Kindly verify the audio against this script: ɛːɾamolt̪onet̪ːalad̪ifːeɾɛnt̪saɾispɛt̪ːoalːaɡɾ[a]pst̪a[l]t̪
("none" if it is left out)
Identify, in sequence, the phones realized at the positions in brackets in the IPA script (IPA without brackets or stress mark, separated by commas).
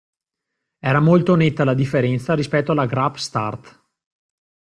a, r